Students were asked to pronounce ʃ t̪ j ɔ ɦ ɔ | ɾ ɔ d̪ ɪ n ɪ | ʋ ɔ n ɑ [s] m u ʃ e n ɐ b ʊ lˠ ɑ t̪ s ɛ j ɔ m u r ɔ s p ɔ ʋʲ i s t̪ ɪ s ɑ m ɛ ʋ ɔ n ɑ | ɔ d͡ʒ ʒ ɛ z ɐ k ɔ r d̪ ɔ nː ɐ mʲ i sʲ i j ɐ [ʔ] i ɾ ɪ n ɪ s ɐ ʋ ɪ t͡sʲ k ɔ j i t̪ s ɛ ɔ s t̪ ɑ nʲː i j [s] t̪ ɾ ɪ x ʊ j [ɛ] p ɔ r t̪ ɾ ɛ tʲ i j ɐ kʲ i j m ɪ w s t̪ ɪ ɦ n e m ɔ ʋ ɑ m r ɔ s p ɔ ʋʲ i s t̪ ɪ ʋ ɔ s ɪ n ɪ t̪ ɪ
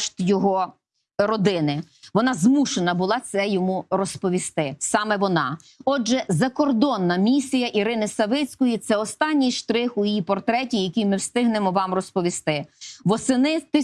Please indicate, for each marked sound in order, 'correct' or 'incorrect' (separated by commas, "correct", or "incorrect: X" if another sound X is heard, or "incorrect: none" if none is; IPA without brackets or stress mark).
incorrect: z, correct, incorrect: ʃ, incorrect: i